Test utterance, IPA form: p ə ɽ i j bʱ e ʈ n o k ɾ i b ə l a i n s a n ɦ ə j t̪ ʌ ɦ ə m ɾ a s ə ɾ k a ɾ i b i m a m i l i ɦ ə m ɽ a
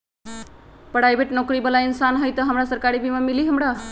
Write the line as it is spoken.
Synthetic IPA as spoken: p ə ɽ a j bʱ e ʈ n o k ɾ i b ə l a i n s a n ɦ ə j t̪ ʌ ɦ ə m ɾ a s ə ɾ k a ɾ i b i m a m i l i ɦ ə m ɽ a